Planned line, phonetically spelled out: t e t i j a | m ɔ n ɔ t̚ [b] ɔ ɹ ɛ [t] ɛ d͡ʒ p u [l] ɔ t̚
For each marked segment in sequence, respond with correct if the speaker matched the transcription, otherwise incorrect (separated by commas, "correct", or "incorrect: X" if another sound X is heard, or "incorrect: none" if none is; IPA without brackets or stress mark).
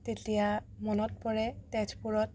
incorrect: p, correct, incorrect: ɹ